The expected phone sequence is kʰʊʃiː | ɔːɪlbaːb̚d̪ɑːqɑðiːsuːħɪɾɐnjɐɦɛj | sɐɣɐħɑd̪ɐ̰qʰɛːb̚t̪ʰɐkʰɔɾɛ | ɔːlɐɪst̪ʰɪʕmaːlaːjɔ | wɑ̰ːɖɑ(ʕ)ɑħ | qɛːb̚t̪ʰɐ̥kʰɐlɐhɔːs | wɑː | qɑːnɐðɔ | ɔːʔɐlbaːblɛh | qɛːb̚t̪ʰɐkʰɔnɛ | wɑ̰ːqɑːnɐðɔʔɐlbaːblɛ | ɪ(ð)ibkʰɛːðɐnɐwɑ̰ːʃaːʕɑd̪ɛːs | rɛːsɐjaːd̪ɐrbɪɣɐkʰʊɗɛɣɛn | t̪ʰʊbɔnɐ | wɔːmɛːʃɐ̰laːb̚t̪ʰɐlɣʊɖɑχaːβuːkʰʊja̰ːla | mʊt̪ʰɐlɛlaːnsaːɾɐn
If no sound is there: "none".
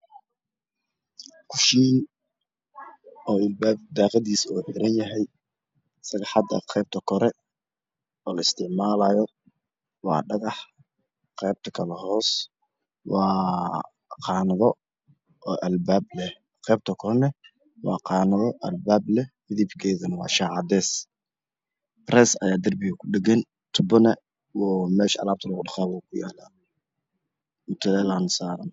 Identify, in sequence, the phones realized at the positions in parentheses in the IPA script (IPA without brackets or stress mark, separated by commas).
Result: ɣ, ð